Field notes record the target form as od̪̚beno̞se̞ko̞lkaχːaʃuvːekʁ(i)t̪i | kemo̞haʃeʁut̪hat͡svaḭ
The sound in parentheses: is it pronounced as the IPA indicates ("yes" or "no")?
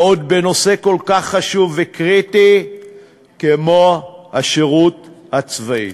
yes